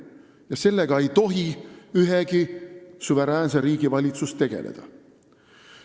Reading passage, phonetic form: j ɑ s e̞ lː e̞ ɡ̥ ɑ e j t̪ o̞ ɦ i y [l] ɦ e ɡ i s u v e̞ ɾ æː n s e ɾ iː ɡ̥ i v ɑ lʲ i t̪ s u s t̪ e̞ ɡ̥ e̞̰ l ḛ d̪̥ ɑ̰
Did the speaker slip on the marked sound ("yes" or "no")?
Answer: yes